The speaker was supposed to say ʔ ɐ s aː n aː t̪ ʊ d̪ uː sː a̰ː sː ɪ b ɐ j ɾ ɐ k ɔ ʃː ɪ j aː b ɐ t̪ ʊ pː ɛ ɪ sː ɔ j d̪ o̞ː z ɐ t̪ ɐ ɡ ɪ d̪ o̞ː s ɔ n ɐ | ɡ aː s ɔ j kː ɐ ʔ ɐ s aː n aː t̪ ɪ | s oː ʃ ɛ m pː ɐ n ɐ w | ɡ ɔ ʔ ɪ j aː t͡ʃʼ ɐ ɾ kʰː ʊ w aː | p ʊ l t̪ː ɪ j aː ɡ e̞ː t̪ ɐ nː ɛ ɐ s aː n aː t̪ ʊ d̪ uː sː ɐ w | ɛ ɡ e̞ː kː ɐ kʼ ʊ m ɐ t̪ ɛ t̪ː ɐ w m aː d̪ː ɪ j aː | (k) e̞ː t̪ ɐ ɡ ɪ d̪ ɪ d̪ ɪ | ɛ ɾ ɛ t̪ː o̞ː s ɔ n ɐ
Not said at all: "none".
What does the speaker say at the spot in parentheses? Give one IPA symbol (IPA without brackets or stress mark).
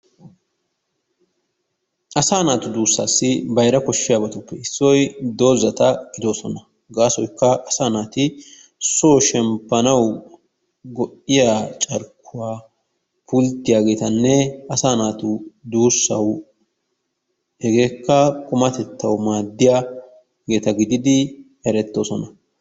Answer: ɡ